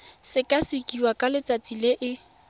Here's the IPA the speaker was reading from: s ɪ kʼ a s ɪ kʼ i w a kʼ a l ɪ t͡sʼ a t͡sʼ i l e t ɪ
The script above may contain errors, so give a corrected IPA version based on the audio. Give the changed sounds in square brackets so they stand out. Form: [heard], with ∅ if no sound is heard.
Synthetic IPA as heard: s ɪ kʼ a s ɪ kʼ i w a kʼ a l ɪ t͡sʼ a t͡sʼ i l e [ʔ] ɪ